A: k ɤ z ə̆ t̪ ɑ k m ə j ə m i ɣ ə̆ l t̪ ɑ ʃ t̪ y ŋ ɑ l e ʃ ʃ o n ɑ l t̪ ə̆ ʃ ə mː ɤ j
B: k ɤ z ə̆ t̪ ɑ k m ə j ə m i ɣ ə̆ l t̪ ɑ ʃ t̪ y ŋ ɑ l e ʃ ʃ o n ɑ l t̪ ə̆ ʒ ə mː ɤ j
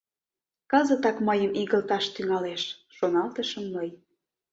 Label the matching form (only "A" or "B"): A